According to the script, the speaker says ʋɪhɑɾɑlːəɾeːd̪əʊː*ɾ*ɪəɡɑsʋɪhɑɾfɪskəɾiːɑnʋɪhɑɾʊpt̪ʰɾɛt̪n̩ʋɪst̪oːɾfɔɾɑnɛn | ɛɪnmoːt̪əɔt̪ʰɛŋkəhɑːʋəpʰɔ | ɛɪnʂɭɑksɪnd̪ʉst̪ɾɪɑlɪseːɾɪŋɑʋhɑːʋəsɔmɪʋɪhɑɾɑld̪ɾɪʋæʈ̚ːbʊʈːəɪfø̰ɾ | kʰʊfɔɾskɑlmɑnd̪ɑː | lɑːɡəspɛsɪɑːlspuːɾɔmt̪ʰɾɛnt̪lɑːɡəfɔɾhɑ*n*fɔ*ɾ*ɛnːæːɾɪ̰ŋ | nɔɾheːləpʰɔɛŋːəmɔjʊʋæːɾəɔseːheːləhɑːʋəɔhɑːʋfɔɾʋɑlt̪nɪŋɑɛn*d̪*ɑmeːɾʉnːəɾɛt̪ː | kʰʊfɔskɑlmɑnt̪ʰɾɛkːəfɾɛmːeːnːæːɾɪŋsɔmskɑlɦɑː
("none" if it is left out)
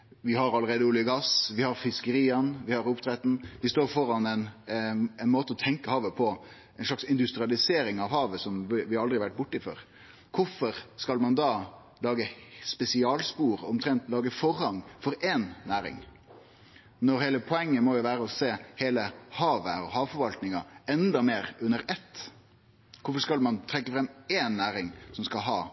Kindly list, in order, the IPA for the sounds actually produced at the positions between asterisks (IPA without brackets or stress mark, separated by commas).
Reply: l, ŋ, ɾ, d̪